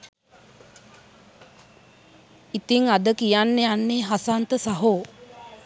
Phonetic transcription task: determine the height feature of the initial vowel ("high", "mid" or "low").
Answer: high